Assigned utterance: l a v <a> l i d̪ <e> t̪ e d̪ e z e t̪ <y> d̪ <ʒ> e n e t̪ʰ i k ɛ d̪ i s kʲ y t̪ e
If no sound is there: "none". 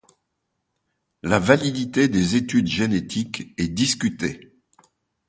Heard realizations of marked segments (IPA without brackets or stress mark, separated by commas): a, i, y, ʒ